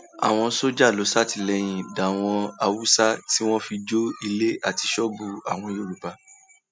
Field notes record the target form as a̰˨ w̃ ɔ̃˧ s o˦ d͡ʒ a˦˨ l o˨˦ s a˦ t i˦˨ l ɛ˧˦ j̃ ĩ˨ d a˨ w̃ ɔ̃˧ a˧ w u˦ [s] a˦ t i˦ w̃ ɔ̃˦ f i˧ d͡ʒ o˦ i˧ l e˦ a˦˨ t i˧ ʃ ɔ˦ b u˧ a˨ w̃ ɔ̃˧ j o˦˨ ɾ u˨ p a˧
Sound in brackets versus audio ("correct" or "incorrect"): correct